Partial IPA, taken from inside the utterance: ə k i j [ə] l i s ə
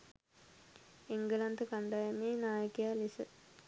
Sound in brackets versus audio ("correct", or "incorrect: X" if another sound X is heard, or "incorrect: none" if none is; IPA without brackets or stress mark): incorrect: a